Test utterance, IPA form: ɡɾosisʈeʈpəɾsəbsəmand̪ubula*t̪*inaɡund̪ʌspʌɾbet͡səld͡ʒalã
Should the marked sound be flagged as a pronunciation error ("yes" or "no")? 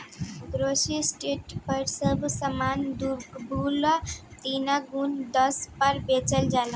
no